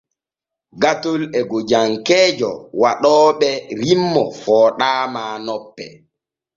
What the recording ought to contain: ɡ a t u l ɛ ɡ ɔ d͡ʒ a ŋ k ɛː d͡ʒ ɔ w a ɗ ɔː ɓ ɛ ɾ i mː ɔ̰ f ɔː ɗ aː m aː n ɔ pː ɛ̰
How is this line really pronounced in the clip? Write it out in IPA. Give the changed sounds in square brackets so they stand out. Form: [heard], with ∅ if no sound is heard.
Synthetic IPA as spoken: ɡ a t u l ɛ ɡ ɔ d͡ʒ a ŋ k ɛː d͡ʒ ɔ w a ɗ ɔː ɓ ɛ ɾ i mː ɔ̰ f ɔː ɗ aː m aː n ɔ pː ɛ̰